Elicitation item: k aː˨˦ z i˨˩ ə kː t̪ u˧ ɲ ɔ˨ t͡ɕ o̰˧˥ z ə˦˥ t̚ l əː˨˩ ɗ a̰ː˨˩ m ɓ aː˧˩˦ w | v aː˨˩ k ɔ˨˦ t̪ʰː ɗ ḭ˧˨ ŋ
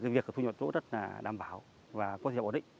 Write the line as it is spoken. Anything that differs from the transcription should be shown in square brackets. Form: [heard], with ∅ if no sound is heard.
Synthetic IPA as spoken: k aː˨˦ [v] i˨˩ ə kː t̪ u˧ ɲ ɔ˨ t͡ɕ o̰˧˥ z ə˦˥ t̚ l [aː˨˩] ɗ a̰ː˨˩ m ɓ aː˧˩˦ w | v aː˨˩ k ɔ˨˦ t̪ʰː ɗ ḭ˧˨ ŋ

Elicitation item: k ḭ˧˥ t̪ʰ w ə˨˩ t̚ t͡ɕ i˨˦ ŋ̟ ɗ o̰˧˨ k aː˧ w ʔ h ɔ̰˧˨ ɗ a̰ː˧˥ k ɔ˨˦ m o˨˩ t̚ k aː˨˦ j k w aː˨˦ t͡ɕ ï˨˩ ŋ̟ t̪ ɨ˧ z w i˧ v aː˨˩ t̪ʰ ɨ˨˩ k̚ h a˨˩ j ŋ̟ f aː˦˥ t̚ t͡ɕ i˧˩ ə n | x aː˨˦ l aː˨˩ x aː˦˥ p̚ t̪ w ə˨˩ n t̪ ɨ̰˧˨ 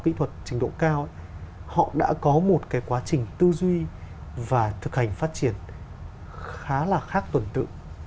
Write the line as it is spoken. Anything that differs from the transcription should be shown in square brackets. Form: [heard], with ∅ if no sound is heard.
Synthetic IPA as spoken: k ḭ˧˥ t̪ʰ w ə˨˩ t̚ t͡ɕ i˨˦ ŋ̟ ɗ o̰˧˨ k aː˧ w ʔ h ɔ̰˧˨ ɗ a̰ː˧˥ k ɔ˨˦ m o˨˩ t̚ k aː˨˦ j k w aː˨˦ t͡ɕ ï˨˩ ŋ̟ t̪ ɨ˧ z w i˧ v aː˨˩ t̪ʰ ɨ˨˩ k̚ h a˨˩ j ŋ̟ f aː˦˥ t̚ t͡ɕ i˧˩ ə n | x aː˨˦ l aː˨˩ x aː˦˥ [k̚] t̪ w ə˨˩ n t̪ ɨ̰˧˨

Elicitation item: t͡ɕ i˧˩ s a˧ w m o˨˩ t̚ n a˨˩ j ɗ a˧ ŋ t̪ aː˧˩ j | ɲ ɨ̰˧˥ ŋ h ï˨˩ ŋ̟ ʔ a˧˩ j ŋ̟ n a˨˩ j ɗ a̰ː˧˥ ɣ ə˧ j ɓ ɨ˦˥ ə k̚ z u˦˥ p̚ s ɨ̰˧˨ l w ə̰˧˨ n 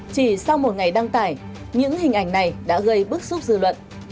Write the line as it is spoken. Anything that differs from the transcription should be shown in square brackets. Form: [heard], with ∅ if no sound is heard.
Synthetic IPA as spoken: t͡ɕ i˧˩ s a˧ w m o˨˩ t̚ [ŋ] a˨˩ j ɗ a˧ ŋ t̪ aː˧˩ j | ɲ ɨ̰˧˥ ŋ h ï˨˩ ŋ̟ ʔ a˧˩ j ŋ̟ n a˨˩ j ɗ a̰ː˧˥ ɣ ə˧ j ɓ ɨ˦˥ ə k̚ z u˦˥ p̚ [z] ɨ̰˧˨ l w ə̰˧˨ n

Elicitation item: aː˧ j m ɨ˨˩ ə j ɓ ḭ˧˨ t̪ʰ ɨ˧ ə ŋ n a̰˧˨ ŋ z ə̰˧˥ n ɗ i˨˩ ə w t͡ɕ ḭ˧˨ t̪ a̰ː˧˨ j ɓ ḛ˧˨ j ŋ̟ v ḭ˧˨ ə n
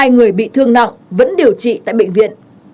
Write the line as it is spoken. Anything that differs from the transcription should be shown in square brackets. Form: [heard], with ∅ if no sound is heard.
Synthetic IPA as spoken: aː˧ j [ŋ] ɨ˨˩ ə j ɓ ḭ˧˨ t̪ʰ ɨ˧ ə ŋ n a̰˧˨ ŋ [v] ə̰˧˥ n ɗ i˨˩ ə w t͡ɕ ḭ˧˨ t̪ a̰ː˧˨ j ɓ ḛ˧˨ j ŋ̟ v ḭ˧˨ ə n

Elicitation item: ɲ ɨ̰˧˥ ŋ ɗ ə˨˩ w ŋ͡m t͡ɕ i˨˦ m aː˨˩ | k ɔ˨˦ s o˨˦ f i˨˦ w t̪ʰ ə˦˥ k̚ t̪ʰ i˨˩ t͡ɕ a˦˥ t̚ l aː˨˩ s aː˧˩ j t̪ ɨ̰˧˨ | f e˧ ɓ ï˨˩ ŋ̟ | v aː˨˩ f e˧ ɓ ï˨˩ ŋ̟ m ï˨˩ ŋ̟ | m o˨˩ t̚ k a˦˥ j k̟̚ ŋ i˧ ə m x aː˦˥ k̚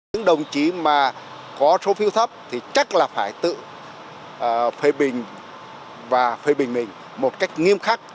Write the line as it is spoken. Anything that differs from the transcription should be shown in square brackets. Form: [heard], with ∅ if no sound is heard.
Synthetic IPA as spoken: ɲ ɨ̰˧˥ ŋ ɗ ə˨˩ w ŋ͡m t͡ɕ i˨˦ m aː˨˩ | k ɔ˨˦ s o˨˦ f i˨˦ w t̪ʰ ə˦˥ [p̚] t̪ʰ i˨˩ t͡ɕ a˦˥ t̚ l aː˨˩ [f] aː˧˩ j t̪ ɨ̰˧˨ | f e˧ ɓ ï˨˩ ŋ̟ | v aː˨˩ f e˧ ɓ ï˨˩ ŋ̟ m ï˨˩ ŋ̟ | m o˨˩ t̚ k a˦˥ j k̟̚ ŋ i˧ ə m x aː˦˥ k̚

